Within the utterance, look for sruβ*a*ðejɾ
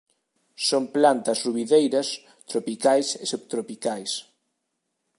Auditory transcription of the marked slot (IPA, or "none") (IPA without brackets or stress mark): i